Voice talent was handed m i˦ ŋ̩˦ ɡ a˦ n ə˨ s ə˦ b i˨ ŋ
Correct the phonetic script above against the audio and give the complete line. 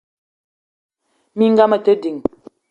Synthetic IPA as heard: m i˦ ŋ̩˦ ɡ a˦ m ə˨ t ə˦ d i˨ ŋ

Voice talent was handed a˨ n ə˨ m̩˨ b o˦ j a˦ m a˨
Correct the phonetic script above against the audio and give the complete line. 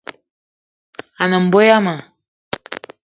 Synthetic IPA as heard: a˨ n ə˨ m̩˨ b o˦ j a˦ m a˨

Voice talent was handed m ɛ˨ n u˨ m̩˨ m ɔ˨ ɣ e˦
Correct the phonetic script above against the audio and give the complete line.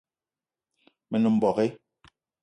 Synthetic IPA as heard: m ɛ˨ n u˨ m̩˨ b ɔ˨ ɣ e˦

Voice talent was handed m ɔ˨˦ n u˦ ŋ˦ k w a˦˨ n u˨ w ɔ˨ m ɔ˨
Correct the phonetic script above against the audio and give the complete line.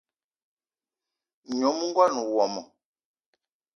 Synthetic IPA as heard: ɲ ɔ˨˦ m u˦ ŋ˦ ɡ w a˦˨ n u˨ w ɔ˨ m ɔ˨

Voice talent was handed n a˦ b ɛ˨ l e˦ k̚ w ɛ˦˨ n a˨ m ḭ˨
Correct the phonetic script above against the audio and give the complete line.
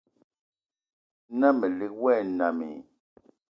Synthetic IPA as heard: n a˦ m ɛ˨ l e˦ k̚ w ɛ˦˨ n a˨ m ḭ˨

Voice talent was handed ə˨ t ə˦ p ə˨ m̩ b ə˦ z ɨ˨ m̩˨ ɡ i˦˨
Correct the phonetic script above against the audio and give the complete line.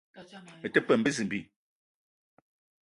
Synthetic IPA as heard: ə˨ t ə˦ p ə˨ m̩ b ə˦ z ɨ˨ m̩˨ b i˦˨

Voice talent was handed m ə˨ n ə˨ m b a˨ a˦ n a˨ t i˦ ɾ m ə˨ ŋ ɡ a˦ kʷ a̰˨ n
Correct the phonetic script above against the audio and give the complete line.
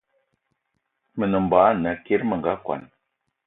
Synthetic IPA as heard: m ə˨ n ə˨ m b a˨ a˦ n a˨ k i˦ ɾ m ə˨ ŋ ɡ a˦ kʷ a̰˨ n

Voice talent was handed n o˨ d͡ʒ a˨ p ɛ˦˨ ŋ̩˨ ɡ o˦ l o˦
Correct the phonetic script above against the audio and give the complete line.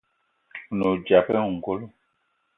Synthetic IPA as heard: n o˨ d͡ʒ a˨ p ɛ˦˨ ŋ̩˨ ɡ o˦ l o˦

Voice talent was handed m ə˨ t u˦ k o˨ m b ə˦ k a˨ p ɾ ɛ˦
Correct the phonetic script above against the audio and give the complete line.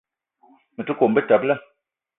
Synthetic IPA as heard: m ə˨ t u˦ k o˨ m b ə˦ t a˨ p l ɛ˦

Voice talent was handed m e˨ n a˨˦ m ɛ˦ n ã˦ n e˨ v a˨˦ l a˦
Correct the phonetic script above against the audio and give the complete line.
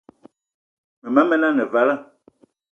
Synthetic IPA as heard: m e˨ m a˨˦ m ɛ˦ n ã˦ n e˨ v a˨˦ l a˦

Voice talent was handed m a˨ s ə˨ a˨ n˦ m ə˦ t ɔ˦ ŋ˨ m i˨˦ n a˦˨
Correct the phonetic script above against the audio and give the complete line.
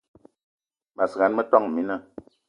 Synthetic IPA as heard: m a˨ s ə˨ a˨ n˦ m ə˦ t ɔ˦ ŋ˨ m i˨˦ n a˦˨

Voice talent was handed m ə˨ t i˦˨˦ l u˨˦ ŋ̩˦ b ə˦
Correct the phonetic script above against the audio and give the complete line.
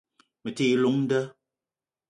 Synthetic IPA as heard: m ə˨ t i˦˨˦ l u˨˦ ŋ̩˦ d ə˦

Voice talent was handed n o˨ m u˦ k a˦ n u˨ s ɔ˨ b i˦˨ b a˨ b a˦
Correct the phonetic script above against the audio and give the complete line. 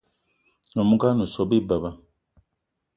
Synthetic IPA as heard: n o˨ m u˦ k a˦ n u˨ s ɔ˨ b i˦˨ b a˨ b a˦

